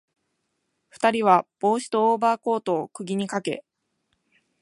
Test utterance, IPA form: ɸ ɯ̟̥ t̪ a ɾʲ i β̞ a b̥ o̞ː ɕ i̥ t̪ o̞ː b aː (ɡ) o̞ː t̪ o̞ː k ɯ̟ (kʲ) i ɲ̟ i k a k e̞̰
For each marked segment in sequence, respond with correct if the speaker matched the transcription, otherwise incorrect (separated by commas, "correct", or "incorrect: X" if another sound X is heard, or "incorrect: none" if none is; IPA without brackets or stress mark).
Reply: incorrect: k, incorrect: ɡʲ